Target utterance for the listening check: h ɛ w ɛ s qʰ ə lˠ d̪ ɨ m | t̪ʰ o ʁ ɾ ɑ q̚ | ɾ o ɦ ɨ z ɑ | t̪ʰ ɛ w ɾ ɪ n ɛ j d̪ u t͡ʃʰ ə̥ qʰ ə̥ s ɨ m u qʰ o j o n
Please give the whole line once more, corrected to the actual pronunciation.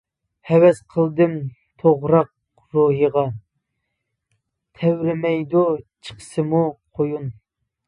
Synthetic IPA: h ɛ w ɛ s qʰ ə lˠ d̪ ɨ m | t̪ʰ o ʁ ɾ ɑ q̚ | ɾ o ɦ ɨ ʁ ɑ | t̪ʰ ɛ w ɾ ɪ m ɛ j d̪ u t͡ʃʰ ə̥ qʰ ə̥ s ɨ m u qʰ o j u n